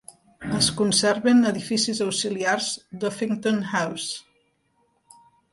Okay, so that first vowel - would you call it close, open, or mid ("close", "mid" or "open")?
mid